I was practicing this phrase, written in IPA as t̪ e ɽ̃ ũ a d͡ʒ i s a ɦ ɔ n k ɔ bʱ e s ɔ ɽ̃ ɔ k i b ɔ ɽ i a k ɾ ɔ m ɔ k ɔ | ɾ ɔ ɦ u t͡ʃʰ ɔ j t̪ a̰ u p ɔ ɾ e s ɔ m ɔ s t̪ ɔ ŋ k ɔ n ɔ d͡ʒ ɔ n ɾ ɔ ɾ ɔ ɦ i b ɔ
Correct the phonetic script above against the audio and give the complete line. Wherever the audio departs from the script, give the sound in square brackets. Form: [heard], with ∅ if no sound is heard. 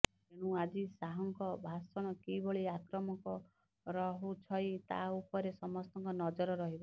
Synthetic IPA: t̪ e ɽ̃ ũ a d͡ʒ i s a ɦ ɔ [ŋ] k ɔ bʱ [a] s ɔ ɽ̃ ɔ k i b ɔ [ɭ] i a k ɾ ɔ m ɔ k ɔ | ɾ ɔ ɦ u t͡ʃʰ ɔ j t̪ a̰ u p ɔ ɾ e s ɔ m ɔ s t̪ ɔ ŋ k ɔ n ɔ d͡ʒ ɔ [∅] ɾ ɔ ɾ ɔ ɦ i b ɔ